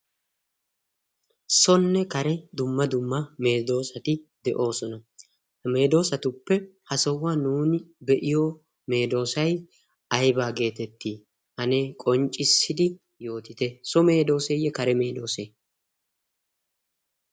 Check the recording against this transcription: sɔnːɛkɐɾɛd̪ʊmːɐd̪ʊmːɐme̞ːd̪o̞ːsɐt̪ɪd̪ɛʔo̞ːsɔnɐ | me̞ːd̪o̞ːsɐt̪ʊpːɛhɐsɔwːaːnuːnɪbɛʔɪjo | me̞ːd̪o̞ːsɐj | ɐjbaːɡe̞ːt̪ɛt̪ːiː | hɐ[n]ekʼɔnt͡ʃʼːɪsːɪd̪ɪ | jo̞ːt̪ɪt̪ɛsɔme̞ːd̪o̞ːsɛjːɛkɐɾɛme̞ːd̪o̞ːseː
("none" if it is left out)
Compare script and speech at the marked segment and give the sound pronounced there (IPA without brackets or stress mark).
n